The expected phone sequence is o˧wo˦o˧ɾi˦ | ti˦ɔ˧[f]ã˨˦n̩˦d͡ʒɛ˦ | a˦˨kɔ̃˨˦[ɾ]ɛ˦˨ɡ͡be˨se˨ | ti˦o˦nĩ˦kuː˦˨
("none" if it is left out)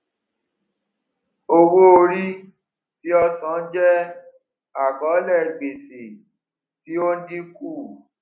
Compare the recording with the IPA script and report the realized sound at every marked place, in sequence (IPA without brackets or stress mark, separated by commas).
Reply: s, l